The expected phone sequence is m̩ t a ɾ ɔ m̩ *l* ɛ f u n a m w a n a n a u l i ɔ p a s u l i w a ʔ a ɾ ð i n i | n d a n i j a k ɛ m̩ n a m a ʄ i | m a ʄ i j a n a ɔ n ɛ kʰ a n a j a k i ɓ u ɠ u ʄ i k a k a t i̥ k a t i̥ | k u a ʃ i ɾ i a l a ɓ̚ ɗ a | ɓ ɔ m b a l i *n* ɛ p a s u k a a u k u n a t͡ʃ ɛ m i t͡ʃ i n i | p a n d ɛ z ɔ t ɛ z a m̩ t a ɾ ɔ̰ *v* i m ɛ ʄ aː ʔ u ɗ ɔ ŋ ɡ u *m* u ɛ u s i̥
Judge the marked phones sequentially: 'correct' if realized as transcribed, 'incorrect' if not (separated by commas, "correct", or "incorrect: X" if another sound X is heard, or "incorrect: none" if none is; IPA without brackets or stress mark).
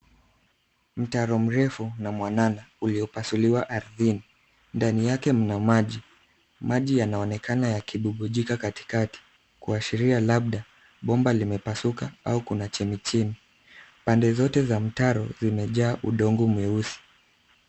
incorrect: ɾ, incorrect: m, incorrect: z, correct